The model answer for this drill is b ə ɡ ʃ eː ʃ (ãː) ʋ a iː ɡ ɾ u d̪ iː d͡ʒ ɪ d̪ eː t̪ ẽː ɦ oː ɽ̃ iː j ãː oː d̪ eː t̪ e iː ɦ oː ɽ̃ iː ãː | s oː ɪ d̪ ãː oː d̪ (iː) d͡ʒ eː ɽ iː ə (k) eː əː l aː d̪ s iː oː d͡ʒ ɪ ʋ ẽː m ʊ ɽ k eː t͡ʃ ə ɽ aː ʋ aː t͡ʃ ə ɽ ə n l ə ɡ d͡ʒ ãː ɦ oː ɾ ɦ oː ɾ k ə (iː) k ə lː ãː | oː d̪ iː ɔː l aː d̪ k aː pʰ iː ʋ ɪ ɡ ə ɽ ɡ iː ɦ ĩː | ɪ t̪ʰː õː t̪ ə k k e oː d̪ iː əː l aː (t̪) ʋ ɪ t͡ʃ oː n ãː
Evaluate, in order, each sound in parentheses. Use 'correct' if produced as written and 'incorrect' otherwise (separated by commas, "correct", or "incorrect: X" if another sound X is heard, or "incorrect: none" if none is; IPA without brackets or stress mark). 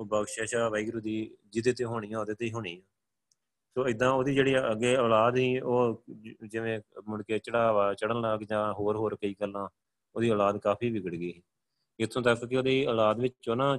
incorrect: aː, correct, incorrect: ɡ, correct, incorrect: d̪